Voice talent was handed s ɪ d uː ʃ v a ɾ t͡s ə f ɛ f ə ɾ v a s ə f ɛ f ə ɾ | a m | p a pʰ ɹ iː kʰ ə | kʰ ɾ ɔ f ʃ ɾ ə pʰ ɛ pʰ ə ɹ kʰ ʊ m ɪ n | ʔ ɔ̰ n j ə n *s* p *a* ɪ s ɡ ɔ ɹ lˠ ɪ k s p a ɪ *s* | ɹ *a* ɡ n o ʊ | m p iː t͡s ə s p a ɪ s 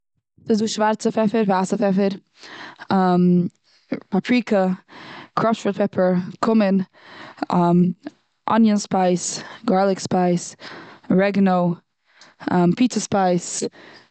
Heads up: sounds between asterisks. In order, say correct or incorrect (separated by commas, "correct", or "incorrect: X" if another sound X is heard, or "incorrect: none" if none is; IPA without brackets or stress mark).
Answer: correct, correct, correct, incorrect: ɛ